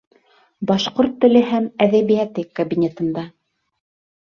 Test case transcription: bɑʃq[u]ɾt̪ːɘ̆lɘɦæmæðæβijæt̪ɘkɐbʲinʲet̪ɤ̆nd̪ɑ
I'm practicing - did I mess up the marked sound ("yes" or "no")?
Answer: yes